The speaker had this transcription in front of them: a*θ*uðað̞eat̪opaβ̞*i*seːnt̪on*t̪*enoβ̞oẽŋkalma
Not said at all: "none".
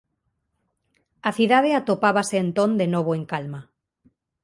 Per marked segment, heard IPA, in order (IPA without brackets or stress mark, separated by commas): θ, a, d̪